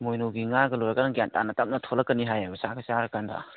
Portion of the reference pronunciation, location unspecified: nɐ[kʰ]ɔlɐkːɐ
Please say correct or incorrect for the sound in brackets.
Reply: incorrect